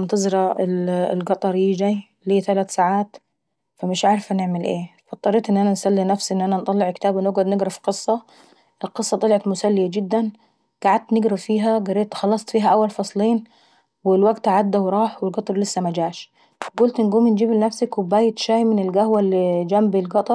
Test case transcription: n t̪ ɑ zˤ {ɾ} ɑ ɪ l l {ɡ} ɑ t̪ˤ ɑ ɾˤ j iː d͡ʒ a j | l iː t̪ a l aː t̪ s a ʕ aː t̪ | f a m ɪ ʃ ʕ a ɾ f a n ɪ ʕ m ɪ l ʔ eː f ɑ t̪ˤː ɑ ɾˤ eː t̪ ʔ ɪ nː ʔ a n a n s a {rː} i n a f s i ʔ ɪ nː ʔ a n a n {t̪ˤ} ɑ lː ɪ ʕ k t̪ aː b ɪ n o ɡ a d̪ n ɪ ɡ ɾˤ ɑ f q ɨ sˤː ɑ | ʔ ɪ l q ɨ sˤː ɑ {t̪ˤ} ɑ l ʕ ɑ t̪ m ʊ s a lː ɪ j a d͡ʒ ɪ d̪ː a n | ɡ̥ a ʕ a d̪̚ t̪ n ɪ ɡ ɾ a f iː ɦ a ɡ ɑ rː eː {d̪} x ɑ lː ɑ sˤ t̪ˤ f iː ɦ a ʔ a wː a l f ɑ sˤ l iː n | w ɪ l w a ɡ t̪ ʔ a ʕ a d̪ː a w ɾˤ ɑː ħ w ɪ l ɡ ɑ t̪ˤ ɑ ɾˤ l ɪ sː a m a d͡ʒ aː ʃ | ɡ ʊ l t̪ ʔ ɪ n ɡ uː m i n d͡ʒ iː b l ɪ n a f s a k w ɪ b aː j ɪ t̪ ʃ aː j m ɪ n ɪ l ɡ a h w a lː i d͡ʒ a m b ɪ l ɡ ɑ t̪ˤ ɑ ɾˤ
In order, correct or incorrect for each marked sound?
correct, correct, incorrect: lː, correct, correct, incorrect: t̪

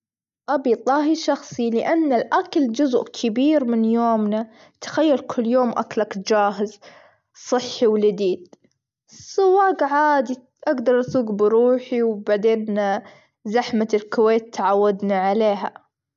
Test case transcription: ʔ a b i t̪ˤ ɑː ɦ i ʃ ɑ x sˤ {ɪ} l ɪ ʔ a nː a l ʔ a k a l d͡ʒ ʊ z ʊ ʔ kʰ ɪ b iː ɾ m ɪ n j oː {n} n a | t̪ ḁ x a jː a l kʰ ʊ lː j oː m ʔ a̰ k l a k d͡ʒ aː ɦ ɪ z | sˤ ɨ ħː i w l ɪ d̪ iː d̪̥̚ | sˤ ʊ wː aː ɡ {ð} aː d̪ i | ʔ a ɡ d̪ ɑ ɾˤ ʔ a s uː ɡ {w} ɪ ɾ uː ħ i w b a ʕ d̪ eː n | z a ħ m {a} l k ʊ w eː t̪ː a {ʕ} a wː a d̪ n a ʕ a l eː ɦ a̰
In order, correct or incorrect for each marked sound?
incorrect: i, incorrect: m, incorrect: ʕ, incorrect: b, correct, correct

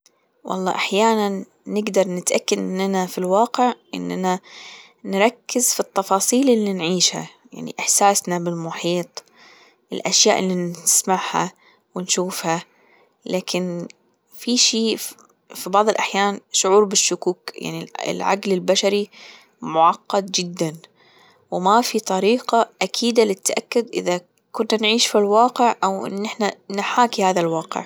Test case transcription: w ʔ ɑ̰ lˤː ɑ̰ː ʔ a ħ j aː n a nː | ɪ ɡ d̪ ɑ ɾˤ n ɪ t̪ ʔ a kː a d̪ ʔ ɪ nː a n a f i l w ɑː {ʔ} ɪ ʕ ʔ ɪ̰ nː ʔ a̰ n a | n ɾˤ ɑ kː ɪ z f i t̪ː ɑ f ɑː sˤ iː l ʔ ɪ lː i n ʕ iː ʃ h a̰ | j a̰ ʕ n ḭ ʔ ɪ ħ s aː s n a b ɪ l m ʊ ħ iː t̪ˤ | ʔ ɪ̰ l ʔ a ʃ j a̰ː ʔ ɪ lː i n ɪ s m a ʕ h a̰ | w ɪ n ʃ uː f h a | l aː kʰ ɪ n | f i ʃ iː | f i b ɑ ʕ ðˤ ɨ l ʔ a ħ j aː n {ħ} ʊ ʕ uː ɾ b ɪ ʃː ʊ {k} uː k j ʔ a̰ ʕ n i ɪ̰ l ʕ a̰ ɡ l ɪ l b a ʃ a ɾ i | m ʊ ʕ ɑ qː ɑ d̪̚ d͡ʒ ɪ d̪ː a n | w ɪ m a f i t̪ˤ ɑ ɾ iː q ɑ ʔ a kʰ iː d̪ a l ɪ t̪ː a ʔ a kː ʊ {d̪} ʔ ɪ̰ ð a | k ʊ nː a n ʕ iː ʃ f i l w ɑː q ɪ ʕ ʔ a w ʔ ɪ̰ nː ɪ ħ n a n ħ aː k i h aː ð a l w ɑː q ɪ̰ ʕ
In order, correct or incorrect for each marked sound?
incorrect: q, incorrect: ʃ, correct, correct

